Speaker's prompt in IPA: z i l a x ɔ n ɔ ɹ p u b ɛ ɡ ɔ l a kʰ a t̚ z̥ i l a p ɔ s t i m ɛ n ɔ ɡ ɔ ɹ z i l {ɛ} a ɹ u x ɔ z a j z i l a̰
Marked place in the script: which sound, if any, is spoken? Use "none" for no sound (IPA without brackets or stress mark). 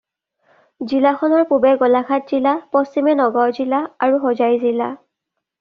a